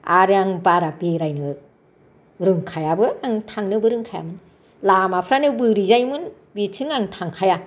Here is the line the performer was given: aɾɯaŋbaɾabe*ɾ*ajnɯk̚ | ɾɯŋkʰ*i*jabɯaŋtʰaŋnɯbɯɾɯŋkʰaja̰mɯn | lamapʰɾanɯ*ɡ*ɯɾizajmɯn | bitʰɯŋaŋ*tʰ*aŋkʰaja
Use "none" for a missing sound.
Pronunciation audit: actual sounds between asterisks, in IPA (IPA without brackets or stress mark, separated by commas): ɾ, a, b, tʰ